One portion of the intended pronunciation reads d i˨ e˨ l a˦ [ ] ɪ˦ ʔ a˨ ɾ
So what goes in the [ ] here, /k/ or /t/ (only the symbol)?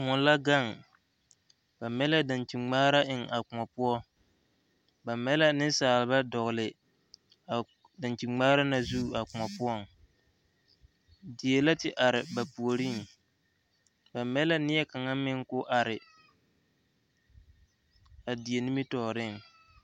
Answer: t